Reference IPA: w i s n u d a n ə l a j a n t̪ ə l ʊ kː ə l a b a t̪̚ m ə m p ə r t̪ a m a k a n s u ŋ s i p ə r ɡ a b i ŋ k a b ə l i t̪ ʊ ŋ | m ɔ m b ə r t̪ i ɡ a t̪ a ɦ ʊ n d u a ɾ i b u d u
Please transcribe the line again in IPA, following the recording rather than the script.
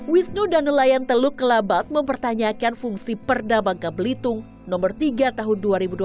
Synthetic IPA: w i s n u d a n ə l a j a n t̪ ə l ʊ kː ə l a b a t̪̚ m ə m p ə r t̪ a ɲ a k a n f u ŋ s i p ə r d a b a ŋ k a b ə l i t̪ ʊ ŋ | n ɔ m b ə r t̪ i ɡ a t̪ a ɦ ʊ n d u a ɾ i b u d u